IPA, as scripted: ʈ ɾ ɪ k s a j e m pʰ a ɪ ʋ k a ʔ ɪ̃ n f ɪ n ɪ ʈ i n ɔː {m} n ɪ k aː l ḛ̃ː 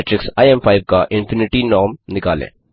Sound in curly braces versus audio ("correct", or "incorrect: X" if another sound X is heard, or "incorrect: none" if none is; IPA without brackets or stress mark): correct